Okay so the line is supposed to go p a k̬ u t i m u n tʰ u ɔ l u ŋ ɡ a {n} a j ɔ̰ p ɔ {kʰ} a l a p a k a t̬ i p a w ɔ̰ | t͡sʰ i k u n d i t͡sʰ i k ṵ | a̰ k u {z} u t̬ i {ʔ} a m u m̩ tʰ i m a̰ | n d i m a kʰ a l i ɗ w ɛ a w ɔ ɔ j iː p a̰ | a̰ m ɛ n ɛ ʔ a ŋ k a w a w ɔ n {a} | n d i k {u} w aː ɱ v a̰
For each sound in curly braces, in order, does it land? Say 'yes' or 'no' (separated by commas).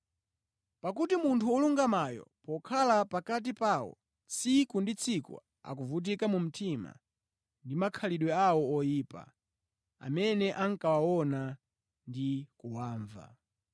no, yes, no, no, yes, yes